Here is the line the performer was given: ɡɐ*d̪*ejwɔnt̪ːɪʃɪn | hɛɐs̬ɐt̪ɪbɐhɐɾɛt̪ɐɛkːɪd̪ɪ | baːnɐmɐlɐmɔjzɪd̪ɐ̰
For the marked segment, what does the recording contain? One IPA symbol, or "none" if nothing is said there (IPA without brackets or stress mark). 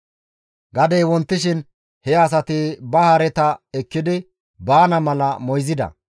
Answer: d̪